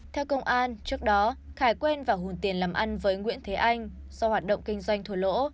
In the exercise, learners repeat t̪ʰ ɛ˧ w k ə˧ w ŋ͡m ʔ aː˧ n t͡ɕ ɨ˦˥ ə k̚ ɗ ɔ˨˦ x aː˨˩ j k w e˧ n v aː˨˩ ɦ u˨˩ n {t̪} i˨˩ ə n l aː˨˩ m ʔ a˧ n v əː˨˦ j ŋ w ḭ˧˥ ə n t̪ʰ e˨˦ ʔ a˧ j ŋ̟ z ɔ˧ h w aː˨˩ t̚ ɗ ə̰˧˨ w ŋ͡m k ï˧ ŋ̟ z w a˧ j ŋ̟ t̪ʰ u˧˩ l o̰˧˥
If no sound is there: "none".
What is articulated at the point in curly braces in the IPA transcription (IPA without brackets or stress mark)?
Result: t̪